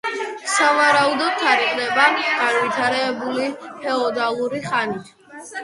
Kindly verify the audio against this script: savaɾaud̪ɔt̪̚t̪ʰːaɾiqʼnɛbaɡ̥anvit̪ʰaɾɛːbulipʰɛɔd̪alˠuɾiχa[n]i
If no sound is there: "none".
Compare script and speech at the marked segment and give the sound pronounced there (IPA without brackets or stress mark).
n